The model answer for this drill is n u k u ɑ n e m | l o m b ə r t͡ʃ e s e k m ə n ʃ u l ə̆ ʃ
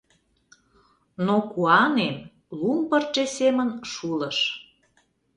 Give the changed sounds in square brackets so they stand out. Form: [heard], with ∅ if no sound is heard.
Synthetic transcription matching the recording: n [o] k u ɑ n e m | l [u] m [p] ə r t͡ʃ e s e [∅] m ə n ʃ u l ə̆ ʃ